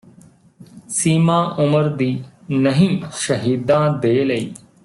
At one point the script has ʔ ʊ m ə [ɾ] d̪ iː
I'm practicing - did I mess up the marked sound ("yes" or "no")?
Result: no